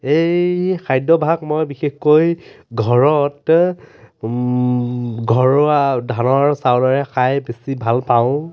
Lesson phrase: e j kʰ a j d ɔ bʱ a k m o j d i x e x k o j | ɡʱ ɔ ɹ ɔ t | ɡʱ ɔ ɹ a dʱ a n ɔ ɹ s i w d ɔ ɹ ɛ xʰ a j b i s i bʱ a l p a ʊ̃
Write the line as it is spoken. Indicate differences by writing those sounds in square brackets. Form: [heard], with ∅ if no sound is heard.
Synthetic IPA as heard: e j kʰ a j d ɔ bʱ a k m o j [b] i x e x k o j | ɡʱ ɔ ɹ ɔ t | ɡʱ ɔ ɹ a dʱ a n ɔ ɹ s [a] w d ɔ ɹ ɛ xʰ a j b [e] s i bʱ a l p a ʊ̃